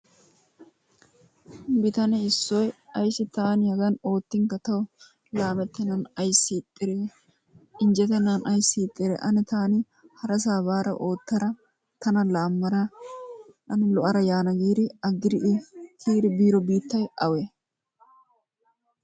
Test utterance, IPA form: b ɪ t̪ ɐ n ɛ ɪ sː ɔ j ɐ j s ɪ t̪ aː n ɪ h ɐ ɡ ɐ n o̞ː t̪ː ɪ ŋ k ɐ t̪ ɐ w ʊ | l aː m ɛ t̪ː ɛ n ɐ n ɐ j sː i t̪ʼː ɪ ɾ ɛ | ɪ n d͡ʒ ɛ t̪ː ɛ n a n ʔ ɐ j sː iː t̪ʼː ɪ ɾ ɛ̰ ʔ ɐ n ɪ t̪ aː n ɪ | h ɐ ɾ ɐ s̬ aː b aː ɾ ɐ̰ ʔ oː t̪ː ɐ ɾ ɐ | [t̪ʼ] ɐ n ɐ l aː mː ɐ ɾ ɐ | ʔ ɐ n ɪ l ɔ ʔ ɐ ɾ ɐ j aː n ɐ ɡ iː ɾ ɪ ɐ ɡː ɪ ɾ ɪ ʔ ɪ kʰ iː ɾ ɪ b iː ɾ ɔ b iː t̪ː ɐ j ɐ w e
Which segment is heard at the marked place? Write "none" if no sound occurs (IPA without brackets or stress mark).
t̪